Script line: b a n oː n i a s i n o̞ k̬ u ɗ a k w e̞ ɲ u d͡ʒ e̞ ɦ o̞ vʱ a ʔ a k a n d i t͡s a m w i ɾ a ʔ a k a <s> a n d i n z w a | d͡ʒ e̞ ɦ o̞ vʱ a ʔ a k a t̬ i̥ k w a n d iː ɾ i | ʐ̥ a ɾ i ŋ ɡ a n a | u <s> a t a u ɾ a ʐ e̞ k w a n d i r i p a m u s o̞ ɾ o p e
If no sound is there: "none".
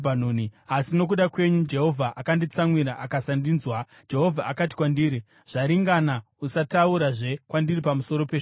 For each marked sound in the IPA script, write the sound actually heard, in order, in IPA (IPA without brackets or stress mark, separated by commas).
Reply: s, s